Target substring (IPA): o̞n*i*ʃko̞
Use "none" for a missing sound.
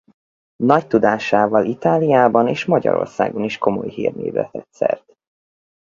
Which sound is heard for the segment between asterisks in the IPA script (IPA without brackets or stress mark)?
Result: i